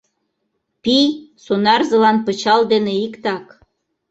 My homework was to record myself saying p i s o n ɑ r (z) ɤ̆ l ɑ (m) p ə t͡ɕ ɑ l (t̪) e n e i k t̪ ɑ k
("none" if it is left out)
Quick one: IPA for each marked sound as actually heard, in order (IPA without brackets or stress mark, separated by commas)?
z, n, d̪